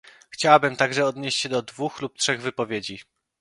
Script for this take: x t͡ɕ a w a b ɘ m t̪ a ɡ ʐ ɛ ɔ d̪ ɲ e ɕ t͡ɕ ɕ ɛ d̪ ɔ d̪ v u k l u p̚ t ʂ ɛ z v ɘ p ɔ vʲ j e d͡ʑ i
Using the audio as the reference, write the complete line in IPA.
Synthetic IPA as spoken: x t͡ɕ a w a b ɘ m t̪ a ɡ ʐ ɛ ɔ d̪ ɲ e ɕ t͡ɕ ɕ ɛ d̪ ɔ d̪ v u x l u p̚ t ʂ ɛ ɣ v ɘ p ɔ vʲ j e d͡ʑ i